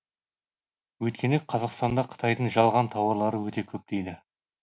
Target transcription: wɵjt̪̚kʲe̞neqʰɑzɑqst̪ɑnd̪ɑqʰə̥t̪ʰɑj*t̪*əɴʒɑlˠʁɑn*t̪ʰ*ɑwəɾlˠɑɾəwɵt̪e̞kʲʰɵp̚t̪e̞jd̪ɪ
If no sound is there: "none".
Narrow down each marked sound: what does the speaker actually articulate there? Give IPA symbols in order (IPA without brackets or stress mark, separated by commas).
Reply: d̪, t̪ʰ